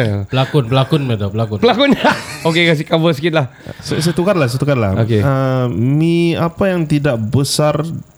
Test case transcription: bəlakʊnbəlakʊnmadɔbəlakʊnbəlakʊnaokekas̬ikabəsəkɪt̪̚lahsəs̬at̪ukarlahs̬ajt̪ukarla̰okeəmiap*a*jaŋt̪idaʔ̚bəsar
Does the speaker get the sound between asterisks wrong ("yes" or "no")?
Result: no